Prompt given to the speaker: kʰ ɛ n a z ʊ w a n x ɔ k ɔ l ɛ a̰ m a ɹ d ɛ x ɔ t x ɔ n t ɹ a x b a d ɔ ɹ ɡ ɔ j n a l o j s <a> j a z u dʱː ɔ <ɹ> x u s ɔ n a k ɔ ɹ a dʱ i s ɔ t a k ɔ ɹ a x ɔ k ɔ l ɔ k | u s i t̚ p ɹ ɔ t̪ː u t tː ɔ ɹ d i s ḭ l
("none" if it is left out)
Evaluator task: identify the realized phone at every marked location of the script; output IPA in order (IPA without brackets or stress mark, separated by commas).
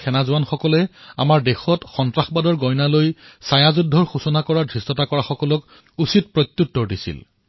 a, ɹ